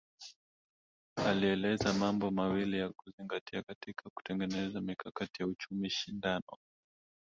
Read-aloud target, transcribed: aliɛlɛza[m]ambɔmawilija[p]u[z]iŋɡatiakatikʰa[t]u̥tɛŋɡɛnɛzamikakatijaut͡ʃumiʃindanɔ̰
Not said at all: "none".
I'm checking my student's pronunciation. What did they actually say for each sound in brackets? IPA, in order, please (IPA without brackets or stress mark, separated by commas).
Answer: m, k, z, k